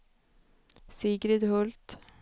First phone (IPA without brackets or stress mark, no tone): s